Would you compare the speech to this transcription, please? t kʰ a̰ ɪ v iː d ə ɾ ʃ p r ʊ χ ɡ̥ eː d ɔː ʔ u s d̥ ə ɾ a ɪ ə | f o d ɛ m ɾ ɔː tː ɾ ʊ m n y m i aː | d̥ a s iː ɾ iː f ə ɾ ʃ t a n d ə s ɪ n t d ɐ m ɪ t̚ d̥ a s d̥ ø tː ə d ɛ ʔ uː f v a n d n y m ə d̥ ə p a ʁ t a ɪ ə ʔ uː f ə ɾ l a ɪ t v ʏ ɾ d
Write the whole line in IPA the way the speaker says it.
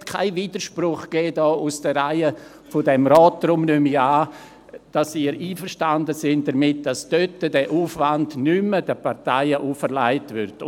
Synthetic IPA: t kʰ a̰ ɪ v iː d ə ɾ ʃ p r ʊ χ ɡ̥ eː d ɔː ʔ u s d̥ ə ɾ a ɪ ə | f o d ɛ m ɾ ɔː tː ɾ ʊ m n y m i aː | d̥ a s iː ɾ iː f ə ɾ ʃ t a n d ə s ɪ n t d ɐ m ɪ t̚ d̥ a s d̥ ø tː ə d ɛ ʔ uː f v a n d n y m ə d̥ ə p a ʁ t a ɪ ə ʔ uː f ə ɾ l a ɪ t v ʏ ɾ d

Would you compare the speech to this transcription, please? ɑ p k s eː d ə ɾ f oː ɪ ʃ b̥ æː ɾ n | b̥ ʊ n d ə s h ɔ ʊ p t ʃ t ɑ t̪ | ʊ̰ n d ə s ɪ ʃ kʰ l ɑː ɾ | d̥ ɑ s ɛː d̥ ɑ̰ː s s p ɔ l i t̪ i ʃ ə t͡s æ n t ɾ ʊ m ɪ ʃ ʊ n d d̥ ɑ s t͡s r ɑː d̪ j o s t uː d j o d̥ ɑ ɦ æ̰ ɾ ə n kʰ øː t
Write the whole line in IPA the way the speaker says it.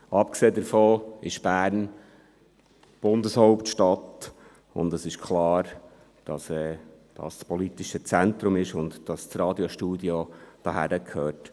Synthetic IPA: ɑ p k s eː d ə ɾ f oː ɪ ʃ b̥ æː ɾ n | b̥ ʊ n d ə s h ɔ ʊ p t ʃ t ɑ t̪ | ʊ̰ n d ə s ɪ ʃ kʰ l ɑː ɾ | d̥ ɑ s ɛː d̥ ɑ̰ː s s p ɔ l i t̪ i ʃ ə t͡s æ n t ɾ ʊ m ɪ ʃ ʊ n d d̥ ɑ s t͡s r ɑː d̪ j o ʃ t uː d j o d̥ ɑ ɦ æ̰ ɾ ə kʰ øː t

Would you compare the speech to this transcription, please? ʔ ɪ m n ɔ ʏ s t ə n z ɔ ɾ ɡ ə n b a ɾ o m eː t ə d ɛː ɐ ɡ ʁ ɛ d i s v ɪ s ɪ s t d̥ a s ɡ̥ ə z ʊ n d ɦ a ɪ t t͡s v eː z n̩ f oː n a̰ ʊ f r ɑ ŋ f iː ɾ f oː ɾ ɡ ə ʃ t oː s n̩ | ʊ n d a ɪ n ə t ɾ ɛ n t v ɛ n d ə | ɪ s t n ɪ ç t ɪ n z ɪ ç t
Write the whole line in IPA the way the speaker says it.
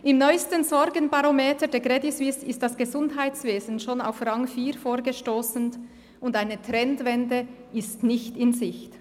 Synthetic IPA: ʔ ɪ m n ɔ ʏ s t ə n z ɔ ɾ ɡ ə n b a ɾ o m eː t ə d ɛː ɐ ɡ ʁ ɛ d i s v ɪ s ɪ s t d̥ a s ɡ̥ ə z ʊ n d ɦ a ɪ t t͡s v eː z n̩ ʃ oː n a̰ ʊ f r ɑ ŋ f iː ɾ f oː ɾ ɡ ə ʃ t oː s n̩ | ʊ n d a ɪ n ə t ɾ ɛ n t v ɛ n d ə | ɪ s t n ɪ ç t ɪ n z ɪ ç t

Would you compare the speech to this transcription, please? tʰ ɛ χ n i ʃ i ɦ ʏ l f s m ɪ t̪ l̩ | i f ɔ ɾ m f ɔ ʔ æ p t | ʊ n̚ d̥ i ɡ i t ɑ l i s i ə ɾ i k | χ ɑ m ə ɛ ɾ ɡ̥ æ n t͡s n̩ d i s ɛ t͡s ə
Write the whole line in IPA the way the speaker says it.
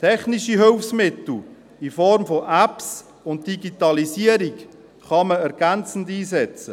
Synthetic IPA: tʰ ɛ χ n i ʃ i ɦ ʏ l f s m ɪ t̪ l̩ | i f ɔ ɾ m f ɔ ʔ æ p s | ʊ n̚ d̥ i ɡ i t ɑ l i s i ə ɾ i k | χ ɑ m ə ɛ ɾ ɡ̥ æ n t͡s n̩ d iː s ɛ t͡s ə

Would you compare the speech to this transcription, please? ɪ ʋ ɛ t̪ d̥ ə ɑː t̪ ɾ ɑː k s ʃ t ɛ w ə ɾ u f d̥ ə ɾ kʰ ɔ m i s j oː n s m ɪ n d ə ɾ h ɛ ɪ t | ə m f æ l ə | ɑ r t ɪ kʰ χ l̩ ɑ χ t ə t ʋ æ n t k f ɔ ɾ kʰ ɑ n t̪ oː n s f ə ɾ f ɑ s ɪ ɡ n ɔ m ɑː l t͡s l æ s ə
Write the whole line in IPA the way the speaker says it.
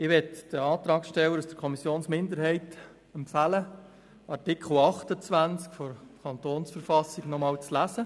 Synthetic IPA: ɪ ʋ ɛ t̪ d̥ ə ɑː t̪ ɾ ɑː k s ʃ t ɛ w ə ɾ u s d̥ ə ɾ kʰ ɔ m i s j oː n s m ɪ n d ə ɾ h ɛ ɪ t | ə m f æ l ə | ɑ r t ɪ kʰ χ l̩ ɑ χ t ə t͡s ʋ æ n t͡s k f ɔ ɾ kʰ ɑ n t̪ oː n s f ə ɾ f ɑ s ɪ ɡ n ɔ m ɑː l t͡s l æ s ə

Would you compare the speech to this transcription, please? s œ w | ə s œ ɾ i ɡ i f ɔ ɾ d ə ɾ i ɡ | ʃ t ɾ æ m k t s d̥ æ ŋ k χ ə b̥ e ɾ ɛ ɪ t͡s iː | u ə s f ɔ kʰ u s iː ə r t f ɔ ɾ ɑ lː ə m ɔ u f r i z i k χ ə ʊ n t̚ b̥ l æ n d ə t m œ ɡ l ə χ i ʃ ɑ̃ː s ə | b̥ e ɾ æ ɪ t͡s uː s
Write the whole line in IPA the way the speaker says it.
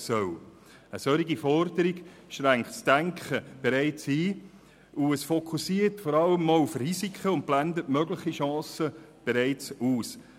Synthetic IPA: s œ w | ə s œ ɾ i ɡ i f ɔ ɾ d ə ɾ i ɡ | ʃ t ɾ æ ŋ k t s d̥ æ ŋ k χ ə b̥ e ɾ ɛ ɪ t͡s iː | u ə s f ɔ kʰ u s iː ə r t f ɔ ɾ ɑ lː ə m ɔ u f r i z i k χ ə ʊ n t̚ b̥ l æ n d ə t m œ ɡ l ə χ i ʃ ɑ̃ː s ə | b̥ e ɾ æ ɪ t͡s uː s

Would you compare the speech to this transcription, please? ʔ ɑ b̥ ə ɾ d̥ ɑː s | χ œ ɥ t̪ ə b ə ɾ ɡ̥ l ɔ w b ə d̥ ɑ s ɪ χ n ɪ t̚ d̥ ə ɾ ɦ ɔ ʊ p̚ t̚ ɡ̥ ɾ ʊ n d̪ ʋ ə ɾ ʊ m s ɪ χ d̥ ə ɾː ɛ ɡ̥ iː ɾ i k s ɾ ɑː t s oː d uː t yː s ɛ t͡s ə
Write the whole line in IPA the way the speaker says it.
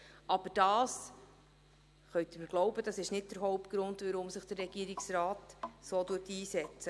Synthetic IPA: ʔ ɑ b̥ ə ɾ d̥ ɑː s | χ œ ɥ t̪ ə m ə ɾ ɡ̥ l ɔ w b ə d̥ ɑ s ɪ ʃ n ɪ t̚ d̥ ə ɾ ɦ ɔ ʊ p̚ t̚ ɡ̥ ɾ ʊ n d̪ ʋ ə ɾ ʊ m s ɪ χ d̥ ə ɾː ɛ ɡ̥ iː ɾ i k s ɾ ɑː t s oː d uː t iː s ɛ t͡s ə

